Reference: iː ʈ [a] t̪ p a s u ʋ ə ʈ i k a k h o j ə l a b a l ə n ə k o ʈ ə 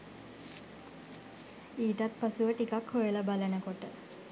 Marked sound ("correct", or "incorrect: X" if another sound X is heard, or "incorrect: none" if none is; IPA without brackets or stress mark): correct